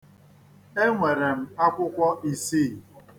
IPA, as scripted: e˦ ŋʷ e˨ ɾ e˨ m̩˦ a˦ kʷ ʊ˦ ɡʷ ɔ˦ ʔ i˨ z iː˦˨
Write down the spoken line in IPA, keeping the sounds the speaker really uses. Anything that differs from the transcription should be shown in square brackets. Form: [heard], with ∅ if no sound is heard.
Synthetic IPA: e˦ ŋʷ e˨ ɾ e˨ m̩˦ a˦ kʷ ʊ˦ [kʷ] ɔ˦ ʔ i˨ [s] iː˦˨

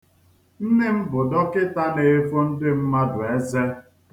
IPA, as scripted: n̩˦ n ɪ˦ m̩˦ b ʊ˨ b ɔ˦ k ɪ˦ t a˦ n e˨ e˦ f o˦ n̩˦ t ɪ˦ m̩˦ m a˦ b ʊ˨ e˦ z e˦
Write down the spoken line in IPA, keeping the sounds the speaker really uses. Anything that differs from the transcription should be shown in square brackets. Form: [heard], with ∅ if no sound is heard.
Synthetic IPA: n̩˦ n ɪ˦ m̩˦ b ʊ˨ [d] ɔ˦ k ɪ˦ t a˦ n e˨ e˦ f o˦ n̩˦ [d] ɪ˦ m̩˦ m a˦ [d] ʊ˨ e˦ z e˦

